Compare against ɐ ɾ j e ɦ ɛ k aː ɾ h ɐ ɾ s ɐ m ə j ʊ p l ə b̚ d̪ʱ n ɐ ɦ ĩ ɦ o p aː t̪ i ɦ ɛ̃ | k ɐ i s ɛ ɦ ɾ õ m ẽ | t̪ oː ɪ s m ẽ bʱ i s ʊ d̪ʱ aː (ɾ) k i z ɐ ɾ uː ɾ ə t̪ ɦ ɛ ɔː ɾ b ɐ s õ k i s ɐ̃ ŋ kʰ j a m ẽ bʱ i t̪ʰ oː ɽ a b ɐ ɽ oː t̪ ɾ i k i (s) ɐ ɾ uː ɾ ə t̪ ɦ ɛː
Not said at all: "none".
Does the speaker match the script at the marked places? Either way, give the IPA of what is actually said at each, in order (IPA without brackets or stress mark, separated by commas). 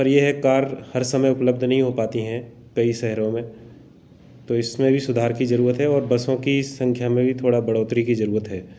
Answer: ɾ, z